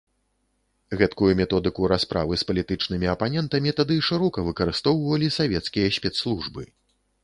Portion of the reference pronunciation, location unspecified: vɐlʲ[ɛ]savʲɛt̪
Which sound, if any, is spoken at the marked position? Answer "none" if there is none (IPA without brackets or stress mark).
i